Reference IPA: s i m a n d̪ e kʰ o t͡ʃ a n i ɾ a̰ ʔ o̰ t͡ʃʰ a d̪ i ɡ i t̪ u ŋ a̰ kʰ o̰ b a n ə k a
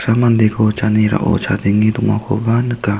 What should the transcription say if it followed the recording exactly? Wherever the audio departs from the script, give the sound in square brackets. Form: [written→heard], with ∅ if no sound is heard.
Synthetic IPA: s [i→a] m a n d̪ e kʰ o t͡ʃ a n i ɾ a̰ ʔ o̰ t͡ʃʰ a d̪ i [ɡ→ŋ] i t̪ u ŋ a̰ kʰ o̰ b a n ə k a